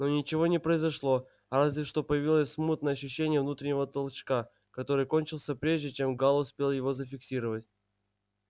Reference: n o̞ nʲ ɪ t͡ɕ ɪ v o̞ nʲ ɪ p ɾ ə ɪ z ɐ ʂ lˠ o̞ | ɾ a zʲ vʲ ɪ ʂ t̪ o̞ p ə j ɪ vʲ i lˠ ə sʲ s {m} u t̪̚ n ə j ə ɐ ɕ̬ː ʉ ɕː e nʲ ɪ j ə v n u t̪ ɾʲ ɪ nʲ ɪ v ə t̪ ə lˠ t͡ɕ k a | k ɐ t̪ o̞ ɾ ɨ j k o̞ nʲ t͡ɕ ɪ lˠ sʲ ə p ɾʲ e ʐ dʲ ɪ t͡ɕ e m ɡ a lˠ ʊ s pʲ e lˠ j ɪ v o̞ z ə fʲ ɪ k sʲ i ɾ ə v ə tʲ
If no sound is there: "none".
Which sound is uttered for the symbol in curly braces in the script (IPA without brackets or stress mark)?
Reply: m